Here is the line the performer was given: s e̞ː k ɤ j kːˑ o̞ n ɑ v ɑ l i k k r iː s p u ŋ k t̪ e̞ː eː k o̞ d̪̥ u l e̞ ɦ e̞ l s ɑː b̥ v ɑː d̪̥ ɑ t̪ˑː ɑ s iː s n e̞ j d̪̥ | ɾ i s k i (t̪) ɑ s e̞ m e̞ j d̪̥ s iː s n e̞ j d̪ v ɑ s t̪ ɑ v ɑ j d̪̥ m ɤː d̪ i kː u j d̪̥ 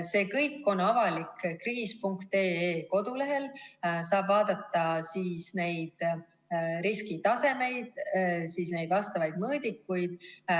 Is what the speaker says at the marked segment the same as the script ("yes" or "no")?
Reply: yes